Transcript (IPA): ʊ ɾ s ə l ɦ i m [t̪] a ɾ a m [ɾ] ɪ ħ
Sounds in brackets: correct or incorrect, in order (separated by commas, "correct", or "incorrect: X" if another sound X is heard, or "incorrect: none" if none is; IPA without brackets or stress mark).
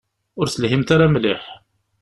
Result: correct, incorrect: l